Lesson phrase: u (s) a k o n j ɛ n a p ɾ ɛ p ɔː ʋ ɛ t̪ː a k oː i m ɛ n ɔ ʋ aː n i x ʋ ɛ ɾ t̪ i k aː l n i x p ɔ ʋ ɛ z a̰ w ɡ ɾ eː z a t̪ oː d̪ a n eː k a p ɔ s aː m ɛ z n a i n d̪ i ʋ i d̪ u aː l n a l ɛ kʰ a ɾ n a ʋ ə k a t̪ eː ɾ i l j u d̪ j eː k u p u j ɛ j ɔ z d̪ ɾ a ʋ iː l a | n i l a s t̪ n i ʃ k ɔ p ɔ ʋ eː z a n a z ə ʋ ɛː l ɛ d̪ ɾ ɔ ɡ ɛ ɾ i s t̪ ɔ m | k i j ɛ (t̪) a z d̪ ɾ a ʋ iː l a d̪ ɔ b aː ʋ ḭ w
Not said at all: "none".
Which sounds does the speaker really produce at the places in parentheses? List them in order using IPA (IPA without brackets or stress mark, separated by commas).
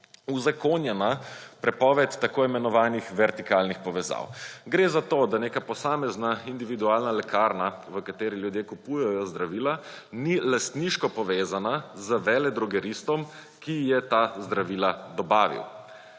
z, t̪